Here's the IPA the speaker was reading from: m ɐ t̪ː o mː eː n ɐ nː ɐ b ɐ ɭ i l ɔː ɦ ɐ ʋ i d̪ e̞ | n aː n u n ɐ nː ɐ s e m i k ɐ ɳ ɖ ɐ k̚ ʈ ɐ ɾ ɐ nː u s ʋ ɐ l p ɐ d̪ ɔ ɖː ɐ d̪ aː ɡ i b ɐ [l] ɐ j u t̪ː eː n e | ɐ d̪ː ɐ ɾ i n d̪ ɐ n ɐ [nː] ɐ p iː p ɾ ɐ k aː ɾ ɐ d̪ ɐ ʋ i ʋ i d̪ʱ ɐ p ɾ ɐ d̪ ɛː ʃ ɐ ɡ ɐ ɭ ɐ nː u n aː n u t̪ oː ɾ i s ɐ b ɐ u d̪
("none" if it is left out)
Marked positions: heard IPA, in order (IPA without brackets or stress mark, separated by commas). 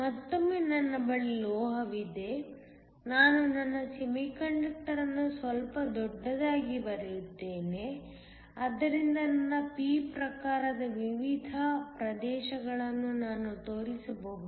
ɾ, nː